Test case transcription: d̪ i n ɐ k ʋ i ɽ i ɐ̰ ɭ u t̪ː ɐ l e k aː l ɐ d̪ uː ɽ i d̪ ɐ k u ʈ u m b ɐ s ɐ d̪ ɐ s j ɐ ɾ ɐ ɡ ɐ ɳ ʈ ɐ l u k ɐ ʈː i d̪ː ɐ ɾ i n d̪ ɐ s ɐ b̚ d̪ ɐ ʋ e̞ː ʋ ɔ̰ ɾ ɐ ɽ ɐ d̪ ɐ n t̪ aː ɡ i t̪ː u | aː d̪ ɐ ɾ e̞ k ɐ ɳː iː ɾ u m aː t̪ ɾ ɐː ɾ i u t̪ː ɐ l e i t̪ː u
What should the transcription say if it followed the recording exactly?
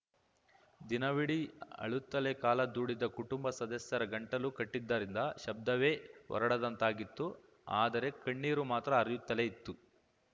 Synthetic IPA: d̪ i n ɐ ʋ i ɽ i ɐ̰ ɭ u t̪ː ɐ l e k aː l ɐ d̪ uː ɽ i d̪ ɐ k u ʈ u m b ɐ s ɐ d̪ ɐ s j ɐ ɾ ɐ ɡ ɐ ɳ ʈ ɐ l u k ɐ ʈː i d̪ː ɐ ɾ i n d̪ ɐ ʃ ɐ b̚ d̪ ɐ ʋ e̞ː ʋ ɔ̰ ɾ ɐ ɽ ɐ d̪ ɐ n t̪ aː ɡ i t̪ː u | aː d̪ ɐ ɾ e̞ k ɐ ɳː iː ɾ u m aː t̪ ɾ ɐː ɾ j u t̪ː ɐ l e i t̪ː u